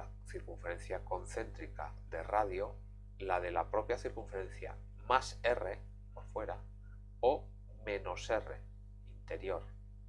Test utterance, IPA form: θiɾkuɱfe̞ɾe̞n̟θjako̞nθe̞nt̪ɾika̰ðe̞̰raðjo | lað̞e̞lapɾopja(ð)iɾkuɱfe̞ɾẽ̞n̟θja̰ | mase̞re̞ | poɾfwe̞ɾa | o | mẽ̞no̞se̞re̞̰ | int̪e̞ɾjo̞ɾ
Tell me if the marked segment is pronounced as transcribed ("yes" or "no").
no